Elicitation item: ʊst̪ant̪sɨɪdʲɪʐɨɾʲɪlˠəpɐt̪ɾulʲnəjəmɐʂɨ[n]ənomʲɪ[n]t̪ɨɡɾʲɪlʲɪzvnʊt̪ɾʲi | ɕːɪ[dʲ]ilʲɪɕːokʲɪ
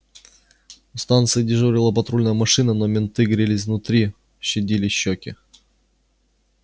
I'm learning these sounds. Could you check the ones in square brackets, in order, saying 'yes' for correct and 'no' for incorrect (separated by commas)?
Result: yes, yes, yes